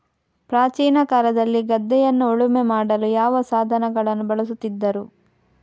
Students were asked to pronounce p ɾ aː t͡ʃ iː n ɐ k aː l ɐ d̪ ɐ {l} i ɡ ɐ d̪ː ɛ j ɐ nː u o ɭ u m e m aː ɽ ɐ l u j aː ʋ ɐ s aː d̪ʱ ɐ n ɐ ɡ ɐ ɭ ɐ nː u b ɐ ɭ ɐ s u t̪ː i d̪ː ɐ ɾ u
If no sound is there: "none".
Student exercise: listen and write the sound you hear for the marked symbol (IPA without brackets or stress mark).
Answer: lː